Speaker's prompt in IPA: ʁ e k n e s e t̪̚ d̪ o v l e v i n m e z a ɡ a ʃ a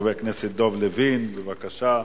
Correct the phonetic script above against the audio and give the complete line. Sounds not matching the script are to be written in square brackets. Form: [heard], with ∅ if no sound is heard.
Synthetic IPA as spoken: [v] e k n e s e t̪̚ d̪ o v l e v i n [b] e [v] a [k] a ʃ a